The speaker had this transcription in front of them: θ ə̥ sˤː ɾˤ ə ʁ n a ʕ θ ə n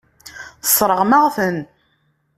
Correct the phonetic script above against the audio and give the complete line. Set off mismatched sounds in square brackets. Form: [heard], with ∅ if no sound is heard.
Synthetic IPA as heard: θ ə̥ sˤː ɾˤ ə ʁ [m] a [ʁ] θ ə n